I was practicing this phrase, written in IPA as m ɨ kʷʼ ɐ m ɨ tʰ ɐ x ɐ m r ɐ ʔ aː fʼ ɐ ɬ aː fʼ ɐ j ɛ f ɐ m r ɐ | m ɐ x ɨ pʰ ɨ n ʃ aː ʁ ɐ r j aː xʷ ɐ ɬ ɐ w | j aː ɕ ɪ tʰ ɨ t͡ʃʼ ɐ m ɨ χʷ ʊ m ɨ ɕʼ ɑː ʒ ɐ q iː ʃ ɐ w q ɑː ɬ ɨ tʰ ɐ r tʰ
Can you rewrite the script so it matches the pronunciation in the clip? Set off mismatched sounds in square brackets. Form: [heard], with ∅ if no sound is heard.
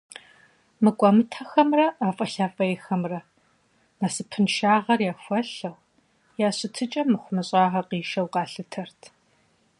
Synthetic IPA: m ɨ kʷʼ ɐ m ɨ tʰ ɐ x ɐ m r ɐ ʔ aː fʼ ɐ ɬ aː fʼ ɐ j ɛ [x] ɐ m r ɐ | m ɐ [s] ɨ pʰ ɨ n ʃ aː ʁ ɐ r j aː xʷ ɐ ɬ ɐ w | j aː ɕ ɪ tʰ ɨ t͡ʃʼ ɐ m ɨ χʷ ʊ m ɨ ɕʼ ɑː [ʁ] ɐ q iː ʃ ɐ w q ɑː ɬ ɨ tʰ ɐ r tʰ